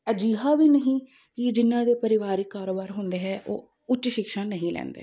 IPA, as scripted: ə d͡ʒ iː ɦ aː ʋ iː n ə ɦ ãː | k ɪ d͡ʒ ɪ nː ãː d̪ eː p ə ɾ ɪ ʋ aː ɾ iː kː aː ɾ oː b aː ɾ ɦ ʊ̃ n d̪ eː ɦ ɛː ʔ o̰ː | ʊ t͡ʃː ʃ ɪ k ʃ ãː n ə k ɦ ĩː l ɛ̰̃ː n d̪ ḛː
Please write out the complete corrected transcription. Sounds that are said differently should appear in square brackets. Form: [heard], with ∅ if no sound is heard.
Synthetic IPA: ə d͡ʒ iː ɦ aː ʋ iː n ə ɦ [ĩː] | k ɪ d͡ʒ ɪ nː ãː d̪ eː p ə ɾ ɪ ʋ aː ɾ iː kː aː ɾ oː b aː ɾ ɦ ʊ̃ n d̪ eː ɦ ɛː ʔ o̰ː | ʊ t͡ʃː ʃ ɪ k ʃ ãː n ə [∅] ɦ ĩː l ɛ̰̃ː n d̪ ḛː